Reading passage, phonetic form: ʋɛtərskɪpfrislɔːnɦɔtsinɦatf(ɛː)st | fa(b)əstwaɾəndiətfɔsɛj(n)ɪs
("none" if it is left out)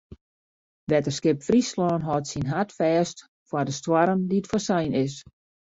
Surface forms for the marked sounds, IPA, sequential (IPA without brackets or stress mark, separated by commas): ɛː, d, n